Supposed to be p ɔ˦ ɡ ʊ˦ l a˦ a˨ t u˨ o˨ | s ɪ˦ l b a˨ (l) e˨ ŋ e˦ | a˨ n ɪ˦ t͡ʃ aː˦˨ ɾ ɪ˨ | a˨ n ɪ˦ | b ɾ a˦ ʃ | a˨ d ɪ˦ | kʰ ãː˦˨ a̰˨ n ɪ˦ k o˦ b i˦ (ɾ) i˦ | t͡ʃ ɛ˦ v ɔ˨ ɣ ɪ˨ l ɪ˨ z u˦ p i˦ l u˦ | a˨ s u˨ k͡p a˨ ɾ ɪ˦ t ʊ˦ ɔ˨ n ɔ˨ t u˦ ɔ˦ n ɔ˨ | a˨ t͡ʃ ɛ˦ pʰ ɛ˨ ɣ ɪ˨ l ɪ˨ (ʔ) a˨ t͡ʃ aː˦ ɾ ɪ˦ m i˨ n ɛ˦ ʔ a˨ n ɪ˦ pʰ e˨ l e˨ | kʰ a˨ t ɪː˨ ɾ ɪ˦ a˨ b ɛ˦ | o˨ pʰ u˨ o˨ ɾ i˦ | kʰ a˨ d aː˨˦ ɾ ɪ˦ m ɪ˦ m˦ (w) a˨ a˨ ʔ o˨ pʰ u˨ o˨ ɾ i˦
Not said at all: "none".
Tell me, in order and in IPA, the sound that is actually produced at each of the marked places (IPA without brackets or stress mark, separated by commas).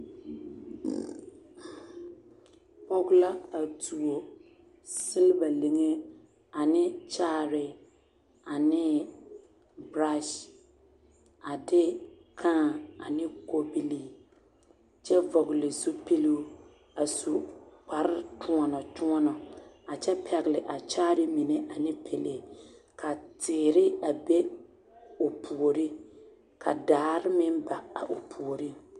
l, l, ʔ, b